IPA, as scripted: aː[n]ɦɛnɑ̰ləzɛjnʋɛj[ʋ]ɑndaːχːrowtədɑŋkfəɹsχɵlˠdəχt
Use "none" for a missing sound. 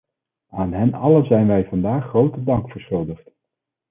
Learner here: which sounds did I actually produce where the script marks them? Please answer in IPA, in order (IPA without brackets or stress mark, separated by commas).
n, v